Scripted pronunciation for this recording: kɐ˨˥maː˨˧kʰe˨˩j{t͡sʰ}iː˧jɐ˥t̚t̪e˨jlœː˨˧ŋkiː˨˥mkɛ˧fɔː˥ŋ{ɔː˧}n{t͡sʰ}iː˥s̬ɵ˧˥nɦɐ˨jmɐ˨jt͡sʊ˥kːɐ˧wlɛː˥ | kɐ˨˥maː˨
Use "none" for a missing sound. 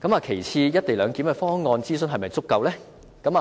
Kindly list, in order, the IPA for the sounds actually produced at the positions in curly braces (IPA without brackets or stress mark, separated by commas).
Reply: t͡sʰ, ɔː˧, t͡s